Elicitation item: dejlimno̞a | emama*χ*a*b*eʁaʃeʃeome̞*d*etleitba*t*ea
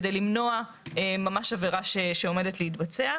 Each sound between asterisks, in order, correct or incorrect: incorrect: ʃ, incorrect: v, correct, incorrect: t͡s

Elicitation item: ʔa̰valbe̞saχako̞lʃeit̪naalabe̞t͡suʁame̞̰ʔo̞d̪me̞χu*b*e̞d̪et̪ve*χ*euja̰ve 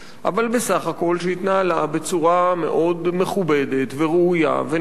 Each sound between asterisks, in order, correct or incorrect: correct, incorrect: ʁ

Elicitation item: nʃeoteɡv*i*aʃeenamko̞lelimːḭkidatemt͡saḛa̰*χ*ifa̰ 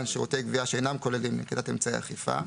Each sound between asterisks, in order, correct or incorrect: correct, correct

